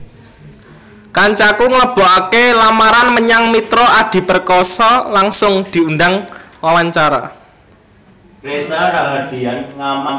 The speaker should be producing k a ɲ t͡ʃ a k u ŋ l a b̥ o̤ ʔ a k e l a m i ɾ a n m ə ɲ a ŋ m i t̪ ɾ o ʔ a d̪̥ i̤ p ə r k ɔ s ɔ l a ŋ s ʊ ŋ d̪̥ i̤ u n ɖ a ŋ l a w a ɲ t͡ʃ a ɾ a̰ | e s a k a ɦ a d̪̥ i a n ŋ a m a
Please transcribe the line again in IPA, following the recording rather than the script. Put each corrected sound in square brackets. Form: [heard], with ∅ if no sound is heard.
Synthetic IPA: k a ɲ t͡ʃ a k u ŋ l [ə] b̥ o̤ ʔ a k e l a m [a] ɾ a n m ə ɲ a ŋ m i t̪ ɾ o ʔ a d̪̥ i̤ p ə r k ɔ s ɔ l a ŋ s ʊ ŋ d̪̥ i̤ u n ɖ a ŋ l a w a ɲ t͡ʃ a ɾ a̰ | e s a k a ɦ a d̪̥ i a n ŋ a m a

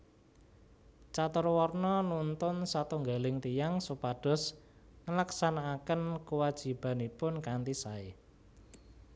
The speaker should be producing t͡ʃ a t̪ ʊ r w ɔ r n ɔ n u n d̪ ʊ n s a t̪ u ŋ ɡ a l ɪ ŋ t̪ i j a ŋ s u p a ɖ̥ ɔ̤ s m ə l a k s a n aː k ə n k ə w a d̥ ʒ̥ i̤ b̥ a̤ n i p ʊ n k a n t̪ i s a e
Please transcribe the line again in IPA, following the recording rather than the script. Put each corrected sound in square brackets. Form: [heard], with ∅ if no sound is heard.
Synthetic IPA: t͡ʃ a t̪ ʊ r w ɔ r n ɔ n u n [t̪] ʊ n s a t̪ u ŋ ɡ a l ɪ ŋ t̪ i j a ŋ s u p a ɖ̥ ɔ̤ s [ŋ] ə l a k s a n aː k ə n k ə w a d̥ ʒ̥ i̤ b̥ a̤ n i p ʊ n k a n t̪ i s a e

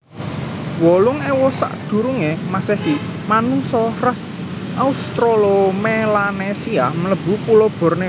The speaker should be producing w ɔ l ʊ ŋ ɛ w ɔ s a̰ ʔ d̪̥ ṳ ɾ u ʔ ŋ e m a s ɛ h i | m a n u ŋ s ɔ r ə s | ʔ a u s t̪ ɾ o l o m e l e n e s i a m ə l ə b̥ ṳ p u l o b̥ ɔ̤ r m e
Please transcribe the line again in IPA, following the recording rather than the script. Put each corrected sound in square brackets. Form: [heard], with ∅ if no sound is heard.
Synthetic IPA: w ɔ l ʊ ŋ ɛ w ɔ s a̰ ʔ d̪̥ ṳ ɾ u [∅] ŋ e m a s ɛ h i | m a n u ŋ s ɔ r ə s | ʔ a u s t̪ ɾ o l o m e l [a] n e s i a m ə l ə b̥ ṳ p u l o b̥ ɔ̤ r [n] e

